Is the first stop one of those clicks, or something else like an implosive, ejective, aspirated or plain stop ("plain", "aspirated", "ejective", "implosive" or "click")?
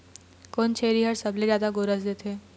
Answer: plain